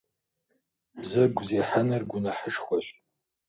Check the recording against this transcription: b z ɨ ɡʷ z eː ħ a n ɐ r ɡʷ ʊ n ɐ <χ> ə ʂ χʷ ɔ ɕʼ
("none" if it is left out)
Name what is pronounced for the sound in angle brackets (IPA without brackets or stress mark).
ħ